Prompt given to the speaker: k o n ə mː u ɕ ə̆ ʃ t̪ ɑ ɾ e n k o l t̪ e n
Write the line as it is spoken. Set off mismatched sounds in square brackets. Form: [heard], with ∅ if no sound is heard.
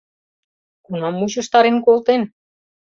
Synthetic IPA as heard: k [u] n [ɑ] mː u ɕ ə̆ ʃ t̪ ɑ ɾ e n k o l t̪ e n